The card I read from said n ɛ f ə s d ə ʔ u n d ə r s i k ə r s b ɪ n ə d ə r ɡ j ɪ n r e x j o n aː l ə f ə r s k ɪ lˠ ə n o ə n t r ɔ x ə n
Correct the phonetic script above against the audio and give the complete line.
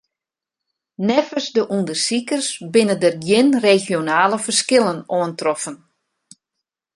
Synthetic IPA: n ɛ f ə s d ə ʔ u n d ə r s i k ə r s b ɪ n ə d ə r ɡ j ɪ n r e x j o n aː l ə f ə r s k ɪ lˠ ə n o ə n t r ɔ f ə n